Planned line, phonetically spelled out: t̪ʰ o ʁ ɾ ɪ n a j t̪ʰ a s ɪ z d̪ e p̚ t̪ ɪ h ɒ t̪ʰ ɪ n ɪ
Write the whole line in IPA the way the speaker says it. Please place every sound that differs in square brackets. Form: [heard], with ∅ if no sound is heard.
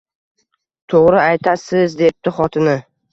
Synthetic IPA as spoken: t̪ʰ o ʁ ɾ ɪ [∅] a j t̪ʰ a s ɪ z d̪ e p̚ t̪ ɪ [χ] ɒ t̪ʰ ɪ n ɪ